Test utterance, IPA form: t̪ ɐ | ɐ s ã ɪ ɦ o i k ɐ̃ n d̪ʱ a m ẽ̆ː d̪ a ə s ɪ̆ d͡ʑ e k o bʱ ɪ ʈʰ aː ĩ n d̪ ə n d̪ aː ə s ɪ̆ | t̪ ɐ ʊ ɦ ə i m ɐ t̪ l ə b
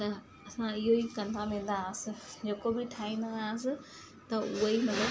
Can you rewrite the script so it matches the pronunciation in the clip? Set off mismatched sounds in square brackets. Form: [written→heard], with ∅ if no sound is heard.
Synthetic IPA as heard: t̪ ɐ | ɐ s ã ɪ ɦ o i k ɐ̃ n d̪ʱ a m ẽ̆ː d̪ a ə s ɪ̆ d͡ʑ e k o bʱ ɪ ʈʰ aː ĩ n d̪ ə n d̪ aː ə s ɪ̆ | t̪ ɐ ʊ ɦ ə i m ɐ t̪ l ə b